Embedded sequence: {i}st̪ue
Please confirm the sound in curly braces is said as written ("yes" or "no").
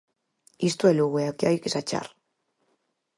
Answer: yes